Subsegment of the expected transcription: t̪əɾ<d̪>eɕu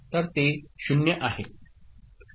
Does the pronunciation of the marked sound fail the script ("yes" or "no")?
yes